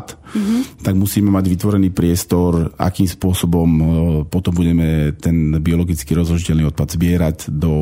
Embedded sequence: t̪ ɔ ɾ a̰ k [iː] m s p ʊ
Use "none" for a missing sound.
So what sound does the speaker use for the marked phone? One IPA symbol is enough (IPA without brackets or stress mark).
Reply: iː